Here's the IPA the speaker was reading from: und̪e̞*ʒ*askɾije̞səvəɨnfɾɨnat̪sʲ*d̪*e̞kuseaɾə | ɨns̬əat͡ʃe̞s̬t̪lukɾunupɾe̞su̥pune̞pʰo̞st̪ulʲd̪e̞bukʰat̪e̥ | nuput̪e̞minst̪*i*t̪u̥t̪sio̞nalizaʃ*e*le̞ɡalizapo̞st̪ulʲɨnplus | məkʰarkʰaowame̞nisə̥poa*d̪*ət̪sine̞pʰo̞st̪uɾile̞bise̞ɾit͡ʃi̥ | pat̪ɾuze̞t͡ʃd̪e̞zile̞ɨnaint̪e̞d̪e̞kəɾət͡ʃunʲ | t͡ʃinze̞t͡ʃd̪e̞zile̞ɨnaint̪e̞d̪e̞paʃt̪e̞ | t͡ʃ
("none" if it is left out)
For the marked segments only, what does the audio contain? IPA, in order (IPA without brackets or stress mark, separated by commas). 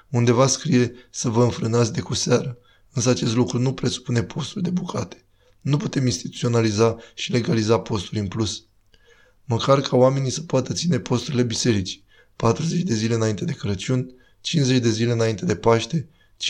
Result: v, d̪, i, i, t̪